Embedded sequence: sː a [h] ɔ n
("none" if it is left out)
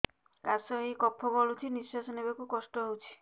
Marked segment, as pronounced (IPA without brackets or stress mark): s